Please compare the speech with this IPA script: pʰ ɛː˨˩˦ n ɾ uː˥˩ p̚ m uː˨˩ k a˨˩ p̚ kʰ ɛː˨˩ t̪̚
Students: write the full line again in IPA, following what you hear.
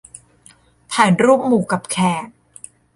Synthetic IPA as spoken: pʰ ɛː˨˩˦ n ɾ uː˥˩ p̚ m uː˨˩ k a˨˩ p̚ kʰ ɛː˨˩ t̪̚